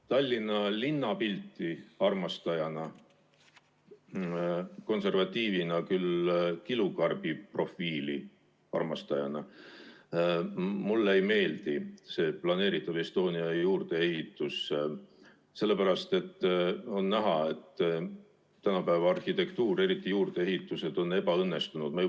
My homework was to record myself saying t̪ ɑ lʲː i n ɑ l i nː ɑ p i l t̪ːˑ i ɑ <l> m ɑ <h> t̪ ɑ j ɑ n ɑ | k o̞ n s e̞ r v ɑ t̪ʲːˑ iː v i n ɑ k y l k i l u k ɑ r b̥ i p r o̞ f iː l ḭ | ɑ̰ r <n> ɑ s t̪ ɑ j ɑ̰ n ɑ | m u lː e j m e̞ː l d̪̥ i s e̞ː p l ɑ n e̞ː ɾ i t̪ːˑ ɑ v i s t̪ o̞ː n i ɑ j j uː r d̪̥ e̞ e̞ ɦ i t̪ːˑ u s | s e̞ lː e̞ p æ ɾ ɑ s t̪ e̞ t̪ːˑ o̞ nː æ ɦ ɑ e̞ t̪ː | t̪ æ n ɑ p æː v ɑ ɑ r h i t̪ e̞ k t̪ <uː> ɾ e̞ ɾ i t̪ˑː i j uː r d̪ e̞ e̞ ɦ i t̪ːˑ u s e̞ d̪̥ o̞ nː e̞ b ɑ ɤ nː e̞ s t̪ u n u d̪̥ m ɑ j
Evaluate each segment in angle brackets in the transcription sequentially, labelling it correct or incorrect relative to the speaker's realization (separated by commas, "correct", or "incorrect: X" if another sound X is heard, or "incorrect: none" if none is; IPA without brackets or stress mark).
incorrect: r, incorrect: s, incorrect: m, correct